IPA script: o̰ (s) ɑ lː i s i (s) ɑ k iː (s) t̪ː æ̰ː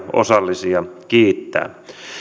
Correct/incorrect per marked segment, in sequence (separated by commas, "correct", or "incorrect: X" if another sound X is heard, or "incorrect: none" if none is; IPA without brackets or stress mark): correct, incorrect: none, incorrect: none